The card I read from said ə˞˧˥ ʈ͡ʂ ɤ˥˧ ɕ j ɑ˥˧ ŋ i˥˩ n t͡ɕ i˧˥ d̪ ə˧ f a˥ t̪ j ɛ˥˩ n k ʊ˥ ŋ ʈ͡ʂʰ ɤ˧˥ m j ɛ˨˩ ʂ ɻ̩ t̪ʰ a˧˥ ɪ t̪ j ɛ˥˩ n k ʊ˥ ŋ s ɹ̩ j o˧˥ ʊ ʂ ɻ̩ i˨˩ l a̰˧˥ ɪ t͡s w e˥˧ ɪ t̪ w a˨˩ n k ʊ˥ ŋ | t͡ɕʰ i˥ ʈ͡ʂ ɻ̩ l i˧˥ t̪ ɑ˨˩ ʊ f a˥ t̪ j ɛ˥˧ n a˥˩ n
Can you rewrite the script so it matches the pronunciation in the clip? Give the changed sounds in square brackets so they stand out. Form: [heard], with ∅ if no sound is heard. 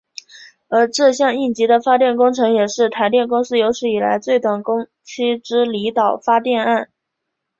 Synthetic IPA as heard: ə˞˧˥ ʈ͡ʂ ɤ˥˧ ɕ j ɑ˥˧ ŋ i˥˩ n t͡ɕ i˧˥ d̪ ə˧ f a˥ t̪ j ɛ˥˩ n k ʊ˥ ŋ ʈ͡ʂʰ ɤ˧˥ [ŋ] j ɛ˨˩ ʂ ɻ̩ t̪ʰ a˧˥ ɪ t̪ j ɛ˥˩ n k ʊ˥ ŋ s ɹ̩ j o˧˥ ʊ ʂ ɻ̩ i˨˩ l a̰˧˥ ɪ t͡s w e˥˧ ɪ t̪ w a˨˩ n k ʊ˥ ŋ | t͡ɕʰ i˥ ʈ͡ʂ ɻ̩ l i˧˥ t̪ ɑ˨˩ ʊ f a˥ t̪ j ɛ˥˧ n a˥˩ n